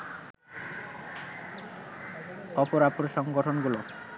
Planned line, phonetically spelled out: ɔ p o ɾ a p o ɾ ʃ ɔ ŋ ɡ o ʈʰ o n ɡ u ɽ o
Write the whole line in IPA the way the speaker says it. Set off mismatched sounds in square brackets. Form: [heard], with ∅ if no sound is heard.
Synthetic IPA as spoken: ɔ p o ɾ a p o ɾ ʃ ɔ ŋ ɡ o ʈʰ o n ɡ u [l] o